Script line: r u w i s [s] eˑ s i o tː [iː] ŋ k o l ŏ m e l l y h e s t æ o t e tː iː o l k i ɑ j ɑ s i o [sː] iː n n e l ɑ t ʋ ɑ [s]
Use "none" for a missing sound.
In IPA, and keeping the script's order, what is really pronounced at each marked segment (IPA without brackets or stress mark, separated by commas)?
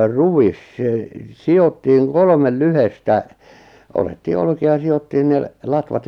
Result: s, iː, tː, t